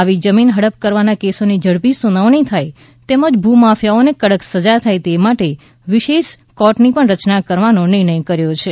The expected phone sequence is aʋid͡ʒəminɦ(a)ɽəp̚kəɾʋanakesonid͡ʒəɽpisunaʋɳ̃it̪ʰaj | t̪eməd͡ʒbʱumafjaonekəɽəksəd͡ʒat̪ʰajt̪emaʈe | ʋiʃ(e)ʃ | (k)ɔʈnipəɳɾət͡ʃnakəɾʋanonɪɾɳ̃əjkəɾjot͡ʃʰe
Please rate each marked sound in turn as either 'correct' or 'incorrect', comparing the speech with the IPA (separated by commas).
incorrect, correct, correct